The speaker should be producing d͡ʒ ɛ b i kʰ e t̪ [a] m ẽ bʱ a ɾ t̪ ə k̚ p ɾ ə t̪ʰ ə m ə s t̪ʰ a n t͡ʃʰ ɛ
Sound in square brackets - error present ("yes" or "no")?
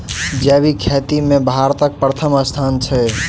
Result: yes